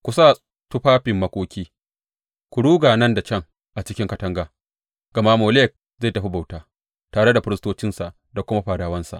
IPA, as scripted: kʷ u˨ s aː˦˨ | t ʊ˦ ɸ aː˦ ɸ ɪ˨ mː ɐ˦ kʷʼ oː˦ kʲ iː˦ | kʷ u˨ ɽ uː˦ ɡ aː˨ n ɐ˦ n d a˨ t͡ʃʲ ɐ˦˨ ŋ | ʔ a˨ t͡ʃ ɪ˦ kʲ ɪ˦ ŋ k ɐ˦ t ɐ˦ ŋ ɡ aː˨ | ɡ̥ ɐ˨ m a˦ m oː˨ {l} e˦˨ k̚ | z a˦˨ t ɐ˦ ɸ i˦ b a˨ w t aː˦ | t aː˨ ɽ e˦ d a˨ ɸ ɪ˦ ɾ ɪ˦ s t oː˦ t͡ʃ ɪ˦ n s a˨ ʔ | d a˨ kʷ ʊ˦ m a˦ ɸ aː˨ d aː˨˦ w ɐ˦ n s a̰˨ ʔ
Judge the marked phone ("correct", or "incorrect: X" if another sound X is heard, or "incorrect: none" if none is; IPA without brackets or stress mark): correct